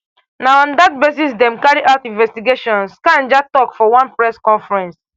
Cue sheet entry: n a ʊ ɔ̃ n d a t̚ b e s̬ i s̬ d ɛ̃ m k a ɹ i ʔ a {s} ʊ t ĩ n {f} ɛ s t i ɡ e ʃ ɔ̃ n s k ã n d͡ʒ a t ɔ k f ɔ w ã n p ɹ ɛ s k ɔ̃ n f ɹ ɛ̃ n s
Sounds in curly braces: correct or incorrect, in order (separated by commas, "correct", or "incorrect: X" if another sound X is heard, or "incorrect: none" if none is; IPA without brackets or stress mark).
incorrect: none, incorrect: v